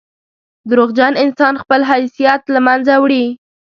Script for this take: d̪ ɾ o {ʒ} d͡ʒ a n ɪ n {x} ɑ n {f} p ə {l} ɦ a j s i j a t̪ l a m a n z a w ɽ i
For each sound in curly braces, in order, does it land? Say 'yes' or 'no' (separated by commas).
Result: no, no, no, yes